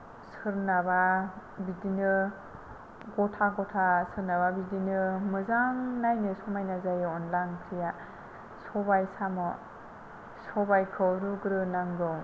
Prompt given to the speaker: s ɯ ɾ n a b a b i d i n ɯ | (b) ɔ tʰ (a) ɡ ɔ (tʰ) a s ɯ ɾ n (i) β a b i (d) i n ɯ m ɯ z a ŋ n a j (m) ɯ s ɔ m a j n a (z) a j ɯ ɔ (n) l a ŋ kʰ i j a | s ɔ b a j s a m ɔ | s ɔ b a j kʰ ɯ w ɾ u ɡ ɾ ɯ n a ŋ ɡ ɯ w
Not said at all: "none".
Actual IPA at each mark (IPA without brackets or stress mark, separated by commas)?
ɡ, a, tʰ, a, d, n, z, n